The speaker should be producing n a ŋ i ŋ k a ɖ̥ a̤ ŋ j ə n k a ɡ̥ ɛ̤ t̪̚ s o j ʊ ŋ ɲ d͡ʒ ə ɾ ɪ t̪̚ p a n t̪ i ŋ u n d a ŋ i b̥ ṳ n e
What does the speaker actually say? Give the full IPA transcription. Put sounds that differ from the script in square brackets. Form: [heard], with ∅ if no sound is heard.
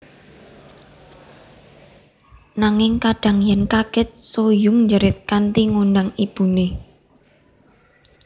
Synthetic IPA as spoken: n a ŋ [ɪ] ŋ k a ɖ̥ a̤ ŋ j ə n k a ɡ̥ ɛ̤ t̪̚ s o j ʊ ŋ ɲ d͡ʒ ə ɾ ɪ t̪̚ [k] a n t̪ i ŋ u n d a ŋ i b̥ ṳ n e